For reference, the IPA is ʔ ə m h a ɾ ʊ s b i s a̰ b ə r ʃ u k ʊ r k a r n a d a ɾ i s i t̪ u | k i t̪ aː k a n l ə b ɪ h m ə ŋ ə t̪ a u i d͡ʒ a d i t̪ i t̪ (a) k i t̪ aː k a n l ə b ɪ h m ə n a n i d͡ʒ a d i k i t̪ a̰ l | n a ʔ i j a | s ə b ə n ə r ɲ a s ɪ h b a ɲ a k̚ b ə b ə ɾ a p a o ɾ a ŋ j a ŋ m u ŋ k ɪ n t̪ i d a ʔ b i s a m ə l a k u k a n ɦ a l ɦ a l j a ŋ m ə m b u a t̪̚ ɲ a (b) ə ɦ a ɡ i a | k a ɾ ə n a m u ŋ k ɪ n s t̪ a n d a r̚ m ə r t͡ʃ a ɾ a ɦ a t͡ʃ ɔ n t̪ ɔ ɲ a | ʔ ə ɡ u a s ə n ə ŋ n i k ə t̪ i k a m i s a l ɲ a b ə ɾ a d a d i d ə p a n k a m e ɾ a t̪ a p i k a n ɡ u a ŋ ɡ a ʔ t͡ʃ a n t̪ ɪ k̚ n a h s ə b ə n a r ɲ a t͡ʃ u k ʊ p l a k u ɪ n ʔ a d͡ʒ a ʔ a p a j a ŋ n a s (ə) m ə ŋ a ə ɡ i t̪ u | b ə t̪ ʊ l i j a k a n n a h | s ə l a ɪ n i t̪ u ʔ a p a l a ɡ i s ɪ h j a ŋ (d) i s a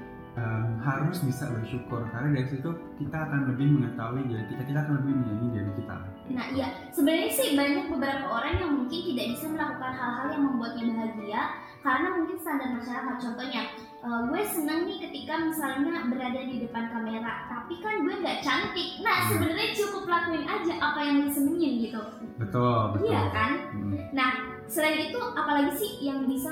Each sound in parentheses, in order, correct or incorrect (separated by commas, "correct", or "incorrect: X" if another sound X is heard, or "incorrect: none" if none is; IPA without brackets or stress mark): correct, correct, correct, incorrect: b